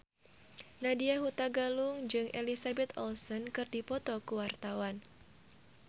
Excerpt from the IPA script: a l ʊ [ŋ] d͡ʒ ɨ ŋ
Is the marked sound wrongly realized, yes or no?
no